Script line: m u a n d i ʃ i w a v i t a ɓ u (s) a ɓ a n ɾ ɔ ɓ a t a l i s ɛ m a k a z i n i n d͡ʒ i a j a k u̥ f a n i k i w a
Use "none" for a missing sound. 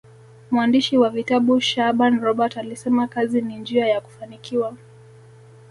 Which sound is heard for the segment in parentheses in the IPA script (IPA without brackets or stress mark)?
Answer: ʃ